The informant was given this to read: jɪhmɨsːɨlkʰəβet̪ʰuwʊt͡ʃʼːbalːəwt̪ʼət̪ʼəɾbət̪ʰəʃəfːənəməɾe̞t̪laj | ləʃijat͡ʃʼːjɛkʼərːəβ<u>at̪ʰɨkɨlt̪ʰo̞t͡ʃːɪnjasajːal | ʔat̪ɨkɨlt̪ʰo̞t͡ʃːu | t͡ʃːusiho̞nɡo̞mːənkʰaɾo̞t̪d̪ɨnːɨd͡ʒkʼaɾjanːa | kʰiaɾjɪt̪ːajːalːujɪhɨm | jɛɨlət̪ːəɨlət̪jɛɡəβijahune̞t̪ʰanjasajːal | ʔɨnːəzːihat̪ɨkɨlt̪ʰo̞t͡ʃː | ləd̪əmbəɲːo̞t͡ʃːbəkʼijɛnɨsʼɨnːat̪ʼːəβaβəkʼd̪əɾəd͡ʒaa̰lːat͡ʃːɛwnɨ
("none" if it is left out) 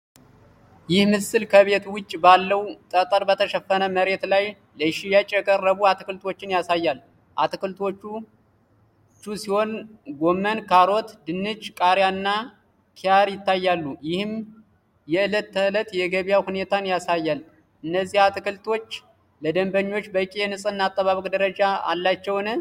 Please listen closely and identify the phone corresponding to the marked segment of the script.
u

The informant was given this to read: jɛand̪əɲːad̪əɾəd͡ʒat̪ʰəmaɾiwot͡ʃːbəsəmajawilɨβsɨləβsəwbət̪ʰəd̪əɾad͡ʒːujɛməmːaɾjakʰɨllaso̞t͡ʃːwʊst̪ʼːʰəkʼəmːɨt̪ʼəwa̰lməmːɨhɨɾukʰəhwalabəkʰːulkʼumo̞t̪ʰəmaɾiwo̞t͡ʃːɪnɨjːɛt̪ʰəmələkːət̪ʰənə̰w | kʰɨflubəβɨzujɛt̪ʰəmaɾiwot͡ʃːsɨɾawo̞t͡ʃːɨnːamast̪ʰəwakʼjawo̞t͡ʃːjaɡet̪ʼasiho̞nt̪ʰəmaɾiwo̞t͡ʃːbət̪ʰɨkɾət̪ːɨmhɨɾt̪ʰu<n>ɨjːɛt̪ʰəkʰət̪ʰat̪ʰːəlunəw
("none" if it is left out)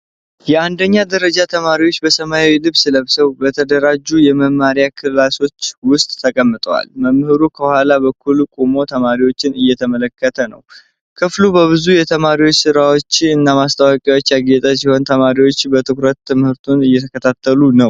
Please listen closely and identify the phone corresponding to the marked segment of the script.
n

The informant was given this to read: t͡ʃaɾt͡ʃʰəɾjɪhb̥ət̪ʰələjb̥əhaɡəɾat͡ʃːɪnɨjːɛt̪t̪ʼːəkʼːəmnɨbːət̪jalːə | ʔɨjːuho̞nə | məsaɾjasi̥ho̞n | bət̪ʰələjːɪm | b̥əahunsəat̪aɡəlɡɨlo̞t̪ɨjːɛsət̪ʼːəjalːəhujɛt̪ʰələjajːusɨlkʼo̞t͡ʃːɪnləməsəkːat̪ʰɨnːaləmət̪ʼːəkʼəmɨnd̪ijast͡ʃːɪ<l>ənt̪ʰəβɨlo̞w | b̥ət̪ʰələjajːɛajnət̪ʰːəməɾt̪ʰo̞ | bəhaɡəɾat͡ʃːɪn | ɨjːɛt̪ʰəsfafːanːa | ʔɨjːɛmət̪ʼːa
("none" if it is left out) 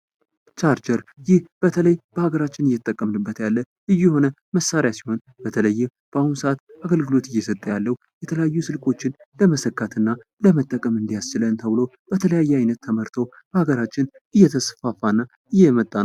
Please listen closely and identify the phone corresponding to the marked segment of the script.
l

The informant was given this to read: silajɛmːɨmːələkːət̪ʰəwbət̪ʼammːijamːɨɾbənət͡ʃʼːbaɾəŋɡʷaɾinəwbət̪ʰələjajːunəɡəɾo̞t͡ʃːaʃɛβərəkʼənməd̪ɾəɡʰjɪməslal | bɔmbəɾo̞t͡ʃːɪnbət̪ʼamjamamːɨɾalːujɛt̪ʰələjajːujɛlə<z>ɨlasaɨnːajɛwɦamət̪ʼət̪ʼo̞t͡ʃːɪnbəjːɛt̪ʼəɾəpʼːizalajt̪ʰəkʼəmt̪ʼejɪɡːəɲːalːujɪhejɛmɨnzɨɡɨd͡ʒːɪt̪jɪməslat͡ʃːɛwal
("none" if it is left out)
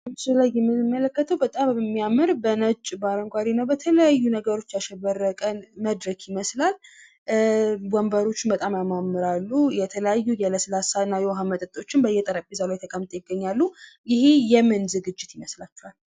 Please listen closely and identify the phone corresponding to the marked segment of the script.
s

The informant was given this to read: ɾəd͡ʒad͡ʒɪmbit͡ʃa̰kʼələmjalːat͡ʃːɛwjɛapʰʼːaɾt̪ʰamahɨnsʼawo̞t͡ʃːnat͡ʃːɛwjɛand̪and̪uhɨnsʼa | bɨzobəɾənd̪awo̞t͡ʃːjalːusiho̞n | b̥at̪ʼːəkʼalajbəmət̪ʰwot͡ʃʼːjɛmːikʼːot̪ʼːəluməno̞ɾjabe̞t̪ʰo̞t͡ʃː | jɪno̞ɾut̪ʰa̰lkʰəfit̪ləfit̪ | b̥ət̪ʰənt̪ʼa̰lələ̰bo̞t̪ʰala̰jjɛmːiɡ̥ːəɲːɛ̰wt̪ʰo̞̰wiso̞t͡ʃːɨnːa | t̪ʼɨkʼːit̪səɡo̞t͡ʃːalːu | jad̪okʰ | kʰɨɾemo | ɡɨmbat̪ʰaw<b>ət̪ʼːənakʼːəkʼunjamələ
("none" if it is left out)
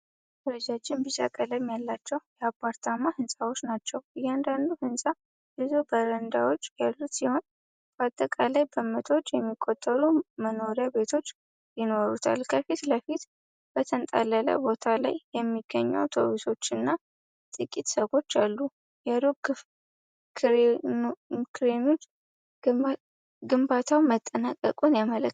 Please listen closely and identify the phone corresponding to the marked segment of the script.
m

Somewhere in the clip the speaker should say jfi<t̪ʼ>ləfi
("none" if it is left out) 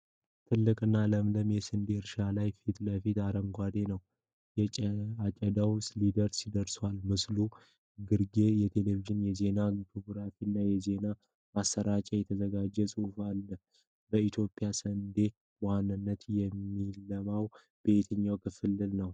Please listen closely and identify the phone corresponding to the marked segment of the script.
t̪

